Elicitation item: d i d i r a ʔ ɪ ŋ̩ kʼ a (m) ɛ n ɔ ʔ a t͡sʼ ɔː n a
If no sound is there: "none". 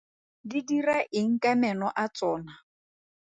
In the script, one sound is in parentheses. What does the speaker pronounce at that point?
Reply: m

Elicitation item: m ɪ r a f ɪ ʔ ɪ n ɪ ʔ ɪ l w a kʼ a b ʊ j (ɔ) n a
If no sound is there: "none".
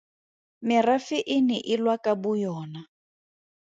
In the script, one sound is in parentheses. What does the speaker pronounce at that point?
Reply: ɔː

